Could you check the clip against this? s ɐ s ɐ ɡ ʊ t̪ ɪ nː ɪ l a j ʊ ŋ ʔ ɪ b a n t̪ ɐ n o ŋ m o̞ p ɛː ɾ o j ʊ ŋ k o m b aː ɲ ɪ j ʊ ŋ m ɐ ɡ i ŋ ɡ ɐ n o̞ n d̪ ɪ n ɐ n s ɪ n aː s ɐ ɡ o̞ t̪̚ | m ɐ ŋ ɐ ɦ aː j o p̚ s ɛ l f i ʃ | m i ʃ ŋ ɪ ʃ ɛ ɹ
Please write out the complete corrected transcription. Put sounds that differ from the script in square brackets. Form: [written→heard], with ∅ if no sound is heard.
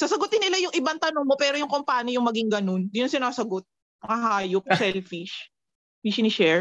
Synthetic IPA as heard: s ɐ s ɐ ɡ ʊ t̪ ɪ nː ɪ l a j ʊ ŋ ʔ ɪ b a n t̪ ɐ n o ŋ m o̞ p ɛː ɾ o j ʊ ŋ k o m [b→p] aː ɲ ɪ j ʊ ŋ m ɐ ɡ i ŋ ɡ ɐ n o̞ n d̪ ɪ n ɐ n s ɪ n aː s ɐ ɡ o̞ t̪̚ | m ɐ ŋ ɐ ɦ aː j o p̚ s ɛ l f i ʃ | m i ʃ [ŋ→n] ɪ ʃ ɛ ɹ